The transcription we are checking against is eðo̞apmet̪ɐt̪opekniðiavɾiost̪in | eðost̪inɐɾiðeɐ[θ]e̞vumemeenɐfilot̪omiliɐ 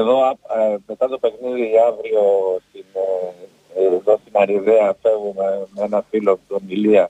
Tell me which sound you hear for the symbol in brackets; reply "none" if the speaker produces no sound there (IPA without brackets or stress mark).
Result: f